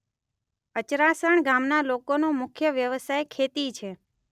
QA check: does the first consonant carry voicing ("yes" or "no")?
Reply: no